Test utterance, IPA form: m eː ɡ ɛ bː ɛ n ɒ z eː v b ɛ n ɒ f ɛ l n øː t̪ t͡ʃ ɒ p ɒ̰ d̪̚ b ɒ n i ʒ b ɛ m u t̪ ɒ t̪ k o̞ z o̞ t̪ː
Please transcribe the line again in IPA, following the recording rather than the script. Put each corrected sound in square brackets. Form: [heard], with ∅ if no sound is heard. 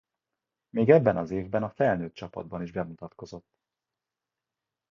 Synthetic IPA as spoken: m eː ɡ ɛ bː ɛ n ɒ z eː v b ɛ n ɒ f ɛ l n øː t̪ t͡ʃ ɒ p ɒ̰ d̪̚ b ɒ n i ʒ b ɛ m u t̪ ɒ t̪ k o̞ z o̞ t̪ː